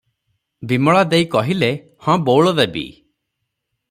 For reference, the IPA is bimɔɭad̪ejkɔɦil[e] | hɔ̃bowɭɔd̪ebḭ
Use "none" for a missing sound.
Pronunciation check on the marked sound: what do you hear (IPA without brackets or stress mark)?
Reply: e